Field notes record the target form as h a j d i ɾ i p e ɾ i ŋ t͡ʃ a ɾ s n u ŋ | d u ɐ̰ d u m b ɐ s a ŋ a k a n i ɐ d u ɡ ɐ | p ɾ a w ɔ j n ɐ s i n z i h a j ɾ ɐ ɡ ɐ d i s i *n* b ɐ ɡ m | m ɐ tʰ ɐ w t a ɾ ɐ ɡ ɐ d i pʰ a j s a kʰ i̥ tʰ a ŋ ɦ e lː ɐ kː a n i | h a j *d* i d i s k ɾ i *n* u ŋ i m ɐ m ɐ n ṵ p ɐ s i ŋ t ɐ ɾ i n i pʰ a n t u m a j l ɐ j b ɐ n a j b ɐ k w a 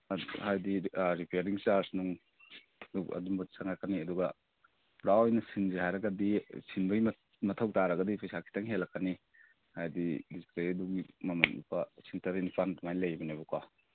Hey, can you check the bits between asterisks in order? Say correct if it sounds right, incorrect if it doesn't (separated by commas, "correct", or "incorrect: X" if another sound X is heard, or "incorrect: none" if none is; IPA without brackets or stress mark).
correct, correct, incorrect: d